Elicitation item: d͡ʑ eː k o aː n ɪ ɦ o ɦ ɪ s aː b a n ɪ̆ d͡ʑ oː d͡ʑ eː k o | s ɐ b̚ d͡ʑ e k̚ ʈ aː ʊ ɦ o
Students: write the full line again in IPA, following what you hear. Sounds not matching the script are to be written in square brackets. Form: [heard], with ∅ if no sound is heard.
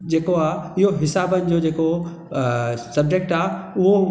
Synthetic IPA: d͡ʑ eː k o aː [∅] ɪ ɦ o ɦ ɪ s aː b [ə] n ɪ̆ d͡ʑ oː d͡ʑ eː k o | s ɐ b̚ d͡ʑ e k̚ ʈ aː ʊ ɦ o